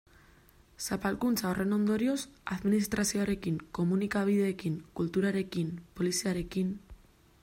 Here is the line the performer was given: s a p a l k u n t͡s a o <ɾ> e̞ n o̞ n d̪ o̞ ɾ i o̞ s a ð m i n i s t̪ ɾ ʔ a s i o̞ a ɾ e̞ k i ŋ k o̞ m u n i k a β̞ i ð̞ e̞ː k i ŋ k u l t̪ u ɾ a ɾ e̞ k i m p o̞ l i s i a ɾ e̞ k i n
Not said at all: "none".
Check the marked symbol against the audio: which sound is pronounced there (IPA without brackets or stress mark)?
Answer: r